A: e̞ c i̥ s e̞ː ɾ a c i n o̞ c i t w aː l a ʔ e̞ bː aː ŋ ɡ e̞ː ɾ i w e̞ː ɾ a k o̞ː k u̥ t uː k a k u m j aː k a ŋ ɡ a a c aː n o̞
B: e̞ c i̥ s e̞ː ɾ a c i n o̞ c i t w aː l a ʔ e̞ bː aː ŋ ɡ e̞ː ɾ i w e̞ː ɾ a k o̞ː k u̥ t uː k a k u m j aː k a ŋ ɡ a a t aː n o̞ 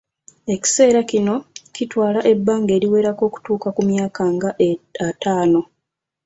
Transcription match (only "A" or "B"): B